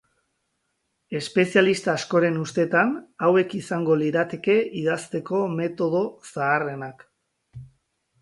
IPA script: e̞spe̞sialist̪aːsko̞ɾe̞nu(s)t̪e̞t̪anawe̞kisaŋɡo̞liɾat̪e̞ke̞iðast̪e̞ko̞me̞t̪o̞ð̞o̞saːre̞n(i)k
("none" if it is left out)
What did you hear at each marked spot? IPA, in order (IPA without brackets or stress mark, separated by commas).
s, a